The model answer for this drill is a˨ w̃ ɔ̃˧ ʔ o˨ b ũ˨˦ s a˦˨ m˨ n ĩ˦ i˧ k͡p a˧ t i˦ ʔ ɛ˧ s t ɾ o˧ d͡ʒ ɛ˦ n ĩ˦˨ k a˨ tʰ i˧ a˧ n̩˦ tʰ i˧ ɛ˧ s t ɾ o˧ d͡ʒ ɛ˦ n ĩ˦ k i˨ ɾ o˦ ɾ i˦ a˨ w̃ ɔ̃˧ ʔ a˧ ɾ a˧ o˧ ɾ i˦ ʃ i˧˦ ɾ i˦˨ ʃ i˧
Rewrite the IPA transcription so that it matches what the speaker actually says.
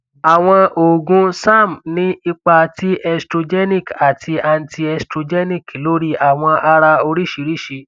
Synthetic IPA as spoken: a˨ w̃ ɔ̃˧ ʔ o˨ ɡ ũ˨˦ s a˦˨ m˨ n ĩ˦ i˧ k͡p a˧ t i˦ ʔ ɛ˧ s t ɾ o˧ d͡ʒ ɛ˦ n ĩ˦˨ k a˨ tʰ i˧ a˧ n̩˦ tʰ i˧ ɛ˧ s t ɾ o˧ d͡ʒ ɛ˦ n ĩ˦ k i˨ l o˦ ɾ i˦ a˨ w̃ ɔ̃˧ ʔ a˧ ɾ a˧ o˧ ɾ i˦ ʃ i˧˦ ɾ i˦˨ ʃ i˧